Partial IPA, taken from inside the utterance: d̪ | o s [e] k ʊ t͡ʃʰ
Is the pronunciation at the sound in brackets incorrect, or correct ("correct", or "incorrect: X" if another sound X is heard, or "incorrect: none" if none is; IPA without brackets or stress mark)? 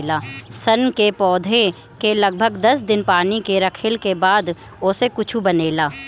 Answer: correct